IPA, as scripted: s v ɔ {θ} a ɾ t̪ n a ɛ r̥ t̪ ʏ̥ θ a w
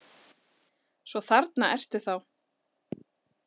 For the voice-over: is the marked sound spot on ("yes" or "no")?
yes